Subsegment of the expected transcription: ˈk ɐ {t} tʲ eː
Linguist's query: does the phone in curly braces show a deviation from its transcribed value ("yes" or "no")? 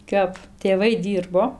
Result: yes